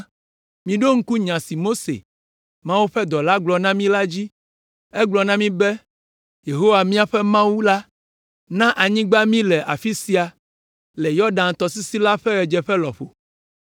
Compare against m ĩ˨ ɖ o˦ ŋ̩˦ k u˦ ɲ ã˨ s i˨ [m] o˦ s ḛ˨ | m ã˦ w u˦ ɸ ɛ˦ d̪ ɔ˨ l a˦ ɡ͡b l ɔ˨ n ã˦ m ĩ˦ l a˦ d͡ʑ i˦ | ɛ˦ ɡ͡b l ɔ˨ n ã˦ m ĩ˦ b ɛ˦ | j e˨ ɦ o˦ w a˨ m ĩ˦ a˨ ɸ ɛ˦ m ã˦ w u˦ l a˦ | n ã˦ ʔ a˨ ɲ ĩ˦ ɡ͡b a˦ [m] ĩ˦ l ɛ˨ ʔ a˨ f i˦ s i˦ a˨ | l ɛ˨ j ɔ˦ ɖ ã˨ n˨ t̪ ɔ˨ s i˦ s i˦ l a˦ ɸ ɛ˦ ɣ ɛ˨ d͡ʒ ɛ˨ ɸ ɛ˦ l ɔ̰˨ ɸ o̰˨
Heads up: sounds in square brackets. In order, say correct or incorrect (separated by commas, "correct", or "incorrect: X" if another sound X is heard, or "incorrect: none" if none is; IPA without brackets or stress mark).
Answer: correct, correct